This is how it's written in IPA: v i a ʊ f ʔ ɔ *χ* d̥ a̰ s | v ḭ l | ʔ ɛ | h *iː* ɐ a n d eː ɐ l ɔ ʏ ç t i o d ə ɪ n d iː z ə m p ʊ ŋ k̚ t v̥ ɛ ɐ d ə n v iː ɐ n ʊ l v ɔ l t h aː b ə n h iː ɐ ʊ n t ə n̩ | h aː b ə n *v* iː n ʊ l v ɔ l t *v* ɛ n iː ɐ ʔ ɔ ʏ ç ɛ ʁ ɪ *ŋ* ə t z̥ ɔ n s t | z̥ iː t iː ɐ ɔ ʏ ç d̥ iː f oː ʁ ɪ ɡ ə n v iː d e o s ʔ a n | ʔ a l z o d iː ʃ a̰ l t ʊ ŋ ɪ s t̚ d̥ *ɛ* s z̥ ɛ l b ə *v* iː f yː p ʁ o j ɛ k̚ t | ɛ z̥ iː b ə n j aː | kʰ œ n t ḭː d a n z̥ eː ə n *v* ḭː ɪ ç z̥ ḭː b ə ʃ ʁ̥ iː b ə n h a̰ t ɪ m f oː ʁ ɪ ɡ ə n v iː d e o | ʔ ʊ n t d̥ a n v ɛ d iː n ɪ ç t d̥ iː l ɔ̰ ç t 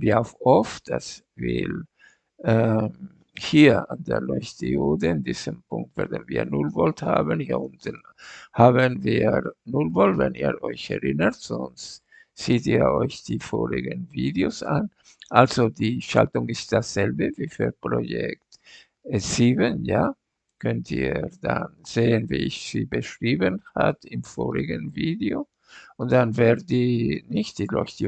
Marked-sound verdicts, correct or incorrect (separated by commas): incorrect, correct, correct, correct, incorrect, incorrect, correct, correct